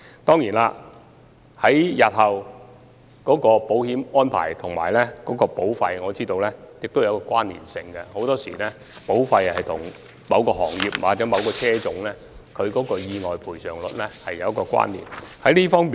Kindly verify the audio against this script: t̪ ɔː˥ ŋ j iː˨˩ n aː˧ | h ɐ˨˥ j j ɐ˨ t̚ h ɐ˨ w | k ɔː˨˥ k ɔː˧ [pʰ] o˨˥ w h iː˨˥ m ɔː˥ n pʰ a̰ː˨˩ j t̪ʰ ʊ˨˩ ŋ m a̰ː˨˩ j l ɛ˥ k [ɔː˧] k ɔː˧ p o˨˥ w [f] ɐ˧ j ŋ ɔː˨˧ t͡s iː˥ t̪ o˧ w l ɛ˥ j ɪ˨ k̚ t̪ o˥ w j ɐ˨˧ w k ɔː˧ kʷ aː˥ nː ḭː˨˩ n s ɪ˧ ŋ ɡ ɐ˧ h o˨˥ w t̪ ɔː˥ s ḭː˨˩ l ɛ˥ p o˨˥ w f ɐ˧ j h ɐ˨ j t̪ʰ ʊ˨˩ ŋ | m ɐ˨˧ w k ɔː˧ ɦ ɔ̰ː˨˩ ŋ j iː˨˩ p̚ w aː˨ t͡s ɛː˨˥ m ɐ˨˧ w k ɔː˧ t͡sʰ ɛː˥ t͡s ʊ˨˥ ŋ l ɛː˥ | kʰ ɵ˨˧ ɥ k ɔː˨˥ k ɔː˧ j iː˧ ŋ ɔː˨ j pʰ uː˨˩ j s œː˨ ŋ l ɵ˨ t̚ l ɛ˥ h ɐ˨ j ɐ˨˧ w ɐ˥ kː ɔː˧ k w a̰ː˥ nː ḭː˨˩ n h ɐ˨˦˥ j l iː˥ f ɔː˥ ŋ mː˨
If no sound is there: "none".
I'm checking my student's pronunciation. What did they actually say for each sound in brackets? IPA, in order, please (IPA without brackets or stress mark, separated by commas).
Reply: p, ɔː˨˥, f